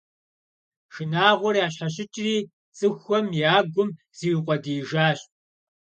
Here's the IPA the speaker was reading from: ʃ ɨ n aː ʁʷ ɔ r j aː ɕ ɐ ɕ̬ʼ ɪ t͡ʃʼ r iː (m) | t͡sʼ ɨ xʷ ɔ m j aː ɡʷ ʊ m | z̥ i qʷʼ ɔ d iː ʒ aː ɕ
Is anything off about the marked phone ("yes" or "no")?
yes